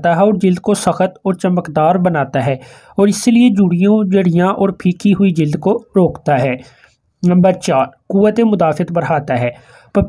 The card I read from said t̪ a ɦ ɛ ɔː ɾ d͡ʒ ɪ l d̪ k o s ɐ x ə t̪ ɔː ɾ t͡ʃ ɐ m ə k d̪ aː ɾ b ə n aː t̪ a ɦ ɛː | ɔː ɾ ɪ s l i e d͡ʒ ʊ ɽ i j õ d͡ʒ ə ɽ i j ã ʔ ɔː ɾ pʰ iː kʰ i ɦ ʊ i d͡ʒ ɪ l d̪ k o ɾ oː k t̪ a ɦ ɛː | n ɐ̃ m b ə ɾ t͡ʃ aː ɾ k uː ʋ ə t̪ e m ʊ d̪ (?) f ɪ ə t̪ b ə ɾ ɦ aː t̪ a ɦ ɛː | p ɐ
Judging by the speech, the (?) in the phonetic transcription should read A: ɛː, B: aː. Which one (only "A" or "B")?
B